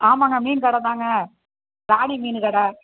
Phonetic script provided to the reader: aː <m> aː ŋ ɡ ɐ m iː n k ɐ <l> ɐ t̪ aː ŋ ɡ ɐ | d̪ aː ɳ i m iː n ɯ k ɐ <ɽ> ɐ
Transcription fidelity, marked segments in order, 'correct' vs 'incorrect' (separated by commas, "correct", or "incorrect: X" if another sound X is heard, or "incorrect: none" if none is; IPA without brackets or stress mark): correct, incorrect: ɽ, correct